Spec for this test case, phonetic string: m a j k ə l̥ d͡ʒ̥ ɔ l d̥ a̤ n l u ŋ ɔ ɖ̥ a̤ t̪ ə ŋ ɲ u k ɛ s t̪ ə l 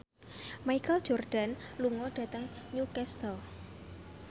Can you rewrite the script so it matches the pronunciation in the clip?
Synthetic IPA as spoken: m a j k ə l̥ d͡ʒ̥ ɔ r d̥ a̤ n l u ŋ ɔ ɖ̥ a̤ t̪ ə ŋ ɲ u k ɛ s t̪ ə l